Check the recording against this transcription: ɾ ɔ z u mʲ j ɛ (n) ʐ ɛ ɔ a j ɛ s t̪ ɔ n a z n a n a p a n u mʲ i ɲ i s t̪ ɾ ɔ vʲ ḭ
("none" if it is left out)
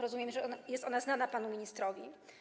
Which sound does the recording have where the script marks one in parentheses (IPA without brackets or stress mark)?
m